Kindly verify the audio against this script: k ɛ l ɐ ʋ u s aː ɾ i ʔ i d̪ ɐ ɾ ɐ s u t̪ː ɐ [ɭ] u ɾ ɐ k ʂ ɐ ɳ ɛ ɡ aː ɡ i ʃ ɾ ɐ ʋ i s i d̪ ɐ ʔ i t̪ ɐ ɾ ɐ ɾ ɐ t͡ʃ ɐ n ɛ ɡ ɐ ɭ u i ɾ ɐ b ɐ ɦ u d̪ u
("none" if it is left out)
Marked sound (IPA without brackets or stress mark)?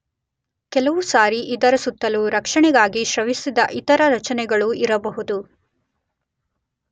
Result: l